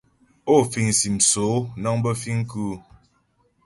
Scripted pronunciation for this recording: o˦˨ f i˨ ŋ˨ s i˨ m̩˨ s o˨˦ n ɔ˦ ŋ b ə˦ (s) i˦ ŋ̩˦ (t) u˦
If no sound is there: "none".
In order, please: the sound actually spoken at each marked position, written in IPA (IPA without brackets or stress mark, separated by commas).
f, k